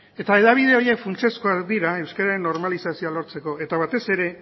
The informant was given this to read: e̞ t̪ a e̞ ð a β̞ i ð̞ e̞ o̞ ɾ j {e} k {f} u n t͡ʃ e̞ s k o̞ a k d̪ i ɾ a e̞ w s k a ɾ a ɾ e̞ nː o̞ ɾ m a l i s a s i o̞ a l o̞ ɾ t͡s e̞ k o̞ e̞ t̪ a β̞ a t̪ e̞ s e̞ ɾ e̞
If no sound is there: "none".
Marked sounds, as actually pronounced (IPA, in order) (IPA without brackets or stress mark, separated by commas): e, f